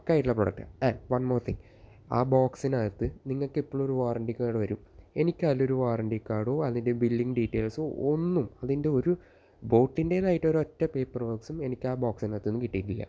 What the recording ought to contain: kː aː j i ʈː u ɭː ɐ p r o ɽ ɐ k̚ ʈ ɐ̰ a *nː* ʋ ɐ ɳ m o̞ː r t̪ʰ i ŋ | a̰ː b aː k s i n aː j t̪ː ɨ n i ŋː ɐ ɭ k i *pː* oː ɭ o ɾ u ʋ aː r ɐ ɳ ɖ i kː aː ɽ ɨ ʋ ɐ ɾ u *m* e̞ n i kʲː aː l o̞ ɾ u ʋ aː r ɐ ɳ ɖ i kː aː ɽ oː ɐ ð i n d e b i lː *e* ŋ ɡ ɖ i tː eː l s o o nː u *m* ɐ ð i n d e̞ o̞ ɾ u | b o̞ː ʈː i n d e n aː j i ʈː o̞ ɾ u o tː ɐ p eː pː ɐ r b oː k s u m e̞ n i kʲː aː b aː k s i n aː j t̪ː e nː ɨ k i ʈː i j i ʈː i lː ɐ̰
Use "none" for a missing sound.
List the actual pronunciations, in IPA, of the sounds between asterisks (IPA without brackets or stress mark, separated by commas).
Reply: n, pː, m, i, m